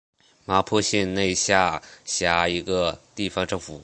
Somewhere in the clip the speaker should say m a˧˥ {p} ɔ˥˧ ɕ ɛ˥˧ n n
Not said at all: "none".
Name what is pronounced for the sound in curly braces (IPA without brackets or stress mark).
pʰ